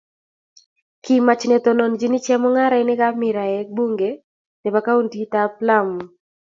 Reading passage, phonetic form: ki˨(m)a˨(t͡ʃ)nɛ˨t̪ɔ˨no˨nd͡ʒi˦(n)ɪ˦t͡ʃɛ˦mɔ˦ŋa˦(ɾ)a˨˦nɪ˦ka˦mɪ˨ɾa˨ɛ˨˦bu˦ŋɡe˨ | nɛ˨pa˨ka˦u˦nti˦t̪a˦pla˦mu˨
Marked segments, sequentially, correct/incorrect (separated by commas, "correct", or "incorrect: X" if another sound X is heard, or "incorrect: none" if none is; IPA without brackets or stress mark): correct, correct, correct, correct